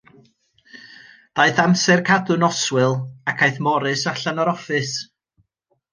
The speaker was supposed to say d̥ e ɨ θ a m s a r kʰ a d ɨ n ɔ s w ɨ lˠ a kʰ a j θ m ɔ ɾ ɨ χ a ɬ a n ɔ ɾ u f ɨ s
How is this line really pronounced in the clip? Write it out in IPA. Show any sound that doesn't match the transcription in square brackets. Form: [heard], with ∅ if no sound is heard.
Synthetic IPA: d̥ [a] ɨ θ a m s [ɛ] r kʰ a d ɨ n ɔ s w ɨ lˠ a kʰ a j θ m ɔ ɾ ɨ [s] a ɬ a n ɔ ɾ [ɔ] f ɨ s